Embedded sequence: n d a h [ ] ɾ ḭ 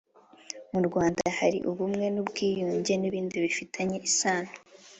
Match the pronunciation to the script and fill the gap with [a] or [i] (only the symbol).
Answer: a